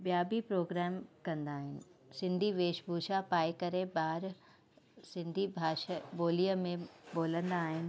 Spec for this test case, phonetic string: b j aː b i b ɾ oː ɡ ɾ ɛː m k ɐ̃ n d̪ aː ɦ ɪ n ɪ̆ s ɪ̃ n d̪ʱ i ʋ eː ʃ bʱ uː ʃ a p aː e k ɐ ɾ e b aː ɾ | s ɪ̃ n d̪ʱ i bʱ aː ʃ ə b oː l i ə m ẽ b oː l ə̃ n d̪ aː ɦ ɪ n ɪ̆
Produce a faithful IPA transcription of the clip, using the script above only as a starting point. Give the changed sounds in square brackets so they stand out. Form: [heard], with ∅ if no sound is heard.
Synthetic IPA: b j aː b i [p] ɾ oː ɡ ɾ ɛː m k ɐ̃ n d̪ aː ɦ ɪ n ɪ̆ s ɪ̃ n d̪ʱ i ʋ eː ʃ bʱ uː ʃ a p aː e k ɐ ɾ e b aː ɾ | s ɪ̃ n d̪ʱ i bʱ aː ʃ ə b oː l i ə m ẽ b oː l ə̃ n d̪ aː ɦ ɪ n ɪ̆